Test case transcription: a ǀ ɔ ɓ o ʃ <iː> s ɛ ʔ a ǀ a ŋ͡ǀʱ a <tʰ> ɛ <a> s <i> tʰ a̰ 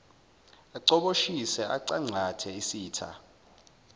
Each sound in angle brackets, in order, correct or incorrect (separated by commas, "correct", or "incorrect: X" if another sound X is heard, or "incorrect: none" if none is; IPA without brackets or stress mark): incorrect: i, correct, incorrect: i, incorrect: iː